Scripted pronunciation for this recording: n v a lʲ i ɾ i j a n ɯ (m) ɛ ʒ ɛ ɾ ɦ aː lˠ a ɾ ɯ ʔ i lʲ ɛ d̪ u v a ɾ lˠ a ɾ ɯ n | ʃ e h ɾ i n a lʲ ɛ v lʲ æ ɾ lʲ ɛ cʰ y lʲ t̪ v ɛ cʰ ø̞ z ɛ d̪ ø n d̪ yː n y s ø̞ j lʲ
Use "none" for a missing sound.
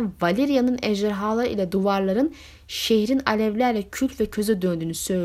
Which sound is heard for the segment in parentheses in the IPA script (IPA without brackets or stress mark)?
n